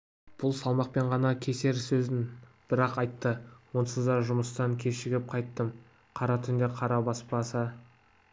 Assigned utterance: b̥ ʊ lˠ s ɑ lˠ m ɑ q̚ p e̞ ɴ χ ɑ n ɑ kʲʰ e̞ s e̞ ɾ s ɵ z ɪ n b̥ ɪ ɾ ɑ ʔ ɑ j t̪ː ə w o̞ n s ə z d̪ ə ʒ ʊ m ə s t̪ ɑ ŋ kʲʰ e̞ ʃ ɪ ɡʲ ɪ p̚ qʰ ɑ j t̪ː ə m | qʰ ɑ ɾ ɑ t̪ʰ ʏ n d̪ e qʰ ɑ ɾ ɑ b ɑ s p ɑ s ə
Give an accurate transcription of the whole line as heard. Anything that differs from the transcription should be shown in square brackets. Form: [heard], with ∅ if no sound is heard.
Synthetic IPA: b̥ ʊ lˠ s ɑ lˠ m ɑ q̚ p e̞ ɴ [ʁ] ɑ n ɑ kʲʰ e̞ s e̞ ɾ s ɵ z ɪ n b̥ ɪ ɾ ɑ [q] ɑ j t̪ː ə w o̞ n s ə z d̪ [ɑ] ʒ ʊ m ə s t̪ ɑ ŋ kʲʰ e̞ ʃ ɪ ɡʲ ɪ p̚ qʰ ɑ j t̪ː ə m | qʰ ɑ ɾ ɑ t̪ʰ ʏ n d̪ e qʰ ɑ ɾ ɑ b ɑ s p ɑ s ə